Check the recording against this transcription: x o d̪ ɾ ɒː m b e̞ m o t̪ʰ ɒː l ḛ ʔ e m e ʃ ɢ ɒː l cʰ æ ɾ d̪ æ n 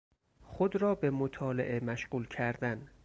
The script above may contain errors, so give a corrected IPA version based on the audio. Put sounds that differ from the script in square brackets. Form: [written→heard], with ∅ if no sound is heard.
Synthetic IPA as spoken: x o d̪ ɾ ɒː [m→∅] b e̞ m o t̪ʰ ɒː l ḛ ʔ e m [e→æ] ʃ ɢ [ɒː→uː] l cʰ æ ɾ d̪ æ n